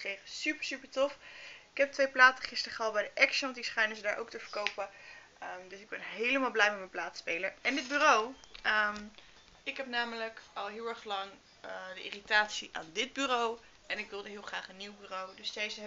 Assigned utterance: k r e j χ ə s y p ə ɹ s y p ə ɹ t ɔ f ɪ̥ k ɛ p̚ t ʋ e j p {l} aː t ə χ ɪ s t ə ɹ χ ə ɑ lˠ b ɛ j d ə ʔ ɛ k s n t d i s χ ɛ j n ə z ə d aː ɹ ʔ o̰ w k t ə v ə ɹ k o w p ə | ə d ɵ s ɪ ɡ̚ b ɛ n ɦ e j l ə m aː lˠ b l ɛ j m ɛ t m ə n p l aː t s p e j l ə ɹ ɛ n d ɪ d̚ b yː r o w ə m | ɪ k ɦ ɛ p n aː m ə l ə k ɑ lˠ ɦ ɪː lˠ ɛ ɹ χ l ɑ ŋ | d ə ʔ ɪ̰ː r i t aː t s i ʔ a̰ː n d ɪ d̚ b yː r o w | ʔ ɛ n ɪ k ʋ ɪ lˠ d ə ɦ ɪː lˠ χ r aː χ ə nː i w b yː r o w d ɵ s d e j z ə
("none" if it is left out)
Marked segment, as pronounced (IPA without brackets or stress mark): l